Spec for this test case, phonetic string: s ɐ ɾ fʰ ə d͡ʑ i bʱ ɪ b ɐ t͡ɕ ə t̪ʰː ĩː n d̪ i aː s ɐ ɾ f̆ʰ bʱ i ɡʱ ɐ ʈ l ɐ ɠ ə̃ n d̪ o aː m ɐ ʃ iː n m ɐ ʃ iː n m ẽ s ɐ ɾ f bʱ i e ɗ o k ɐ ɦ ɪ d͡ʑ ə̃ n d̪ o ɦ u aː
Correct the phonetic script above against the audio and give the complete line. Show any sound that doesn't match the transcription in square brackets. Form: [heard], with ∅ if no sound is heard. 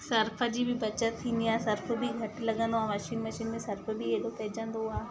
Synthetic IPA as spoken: s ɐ ɾ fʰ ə d͡ʑ i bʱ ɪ b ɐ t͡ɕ ə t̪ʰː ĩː n d̪ i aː s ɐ ɾ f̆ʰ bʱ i ɡʱ ɐ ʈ l ɐ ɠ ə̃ n d̪ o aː m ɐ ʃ iː n m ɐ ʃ iː n m ẽ s ɐ ɾ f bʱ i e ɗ o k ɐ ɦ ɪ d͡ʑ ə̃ n d̪ o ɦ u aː